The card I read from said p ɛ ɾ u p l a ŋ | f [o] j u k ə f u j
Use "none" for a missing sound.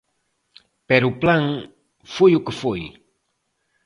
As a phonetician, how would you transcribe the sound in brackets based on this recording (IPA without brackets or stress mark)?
u